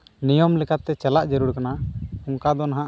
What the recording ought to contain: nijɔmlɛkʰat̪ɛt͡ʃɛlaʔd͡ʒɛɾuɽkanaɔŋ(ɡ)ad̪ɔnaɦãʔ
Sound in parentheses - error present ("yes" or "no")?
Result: yes